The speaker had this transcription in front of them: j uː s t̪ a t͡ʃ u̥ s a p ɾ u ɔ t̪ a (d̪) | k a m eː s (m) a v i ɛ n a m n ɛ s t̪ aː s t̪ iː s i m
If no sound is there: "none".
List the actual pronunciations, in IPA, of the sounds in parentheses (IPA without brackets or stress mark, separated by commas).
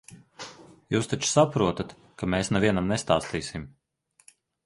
t̪, n